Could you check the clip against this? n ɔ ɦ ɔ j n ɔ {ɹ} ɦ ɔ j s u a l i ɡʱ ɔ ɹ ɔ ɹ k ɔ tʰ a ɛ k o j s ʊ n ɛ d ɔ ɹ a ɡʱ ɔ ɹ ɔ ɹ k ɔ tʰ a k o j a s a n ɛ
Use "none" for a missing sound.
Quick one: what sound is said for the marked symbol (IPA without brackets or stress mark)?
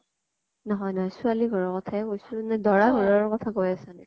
none